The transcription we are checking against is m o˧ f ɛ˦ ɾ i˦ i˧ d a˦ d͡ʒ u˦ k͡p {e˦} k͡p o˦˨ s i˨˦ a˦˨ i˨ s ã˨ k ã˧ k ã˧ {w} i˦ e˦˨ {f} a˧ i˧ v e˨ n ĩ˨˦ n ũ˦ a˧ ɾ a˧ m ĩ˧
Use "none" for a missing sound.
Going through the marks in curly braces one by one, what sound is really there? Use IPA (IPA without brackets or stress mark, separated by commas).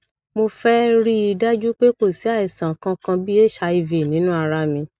e˦, b, ʃ